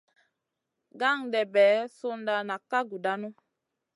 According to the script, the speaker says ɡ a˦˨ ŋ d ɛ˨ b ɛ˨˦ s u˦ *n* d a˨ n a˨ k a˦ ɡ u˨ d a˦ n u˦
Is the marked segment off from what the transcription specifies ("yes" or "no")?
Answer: no